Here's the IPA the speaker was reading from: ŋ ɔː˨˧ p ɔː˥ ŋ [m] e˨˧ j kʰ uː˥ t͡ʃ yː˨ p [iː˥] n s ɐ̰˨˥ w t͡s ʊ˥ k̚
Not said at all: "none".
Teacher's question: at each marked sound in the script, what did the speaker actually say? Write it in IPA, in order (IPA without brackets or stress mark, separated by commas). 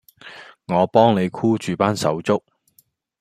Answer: n, aː˥